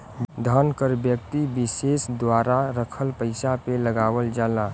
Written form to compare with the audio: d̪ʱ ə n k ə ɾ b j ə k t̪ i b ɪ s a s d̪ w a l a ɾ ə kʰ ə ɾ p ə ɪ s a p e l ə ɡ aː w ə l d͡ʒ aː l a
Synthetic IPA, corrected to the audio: d̪ʱ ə n k ə ɾ b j ə k t̪ i b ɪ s e s d̪ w a ɾ a ɾ ə kʰ ə l p ə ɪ s a p e l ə ɡ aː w ə l d͡ʒ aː l a